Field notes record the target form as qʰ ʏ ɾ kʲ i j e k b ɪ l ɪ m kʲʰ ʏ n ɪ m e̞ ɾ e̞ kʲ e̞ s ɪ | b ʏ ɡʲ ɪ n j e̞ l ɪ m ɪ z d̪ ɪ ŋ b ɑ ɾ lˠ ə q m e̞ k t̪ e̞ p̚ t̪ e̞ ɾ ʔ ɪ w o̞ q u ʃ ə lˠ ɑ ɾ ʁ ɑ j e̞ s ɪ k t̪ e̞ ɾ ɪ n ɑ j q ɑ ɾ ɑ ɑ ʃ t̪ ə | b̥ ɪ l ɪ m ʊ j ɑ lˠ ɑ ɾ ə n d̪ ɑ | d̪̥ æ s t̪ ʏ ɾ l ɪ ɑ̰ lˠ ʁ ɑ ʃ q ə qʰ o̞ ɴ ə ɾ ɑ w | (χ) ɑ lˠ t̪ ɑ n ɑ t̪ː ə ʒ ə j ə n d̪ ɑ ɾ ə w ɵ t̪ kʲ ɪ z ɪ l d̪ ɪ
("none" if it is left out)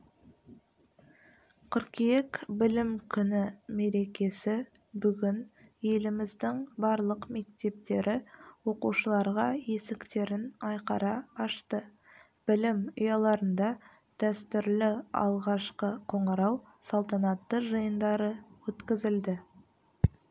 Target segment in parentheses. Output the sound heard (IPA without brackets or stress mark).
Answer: s